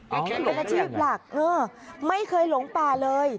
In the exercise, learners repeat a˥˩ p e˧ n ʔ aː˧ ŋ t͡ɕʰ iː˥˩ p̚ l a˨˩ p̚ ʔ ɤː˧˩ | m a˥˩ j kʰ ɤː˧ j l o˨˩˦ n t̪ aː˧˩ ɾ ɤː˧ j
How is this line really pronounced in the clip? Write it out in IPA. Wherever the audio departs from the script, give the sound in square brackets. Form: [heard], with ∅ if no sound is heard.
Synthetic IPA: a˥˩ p e˧ n ʔ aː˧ [∅] t͡ɕʰ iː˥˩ p̚ l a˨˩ [k̚] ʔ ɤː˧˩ | m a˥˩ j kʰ ɤː˧ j l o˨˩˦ [ŋ] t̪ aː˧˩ [l] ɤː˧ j